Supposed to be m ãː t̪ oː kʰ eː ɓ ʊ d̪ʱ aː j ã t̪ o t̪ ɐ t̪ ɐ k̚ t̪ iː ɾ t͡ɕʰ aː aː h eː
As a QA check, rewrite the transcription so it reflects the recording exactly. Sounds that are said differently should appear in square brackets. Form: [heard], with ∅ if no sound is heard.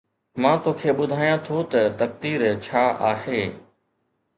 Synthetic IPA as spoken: m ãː t̪ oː kʰ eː ɓ ʊ d̪ʱ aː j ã [t̪ʰ] o t̪ ɐ t̪ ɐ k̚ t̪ iː ɾ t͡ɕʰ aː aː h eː